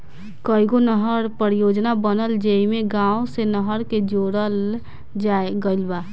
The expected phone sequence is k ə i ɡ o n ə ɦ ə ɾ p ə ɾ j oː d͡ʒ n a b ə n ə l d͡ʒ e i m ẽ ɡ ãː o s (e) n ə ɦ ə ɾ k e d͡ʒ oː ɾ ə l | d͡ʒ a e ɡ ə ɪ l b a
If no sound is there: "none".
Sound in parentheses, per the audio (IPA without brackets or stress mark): e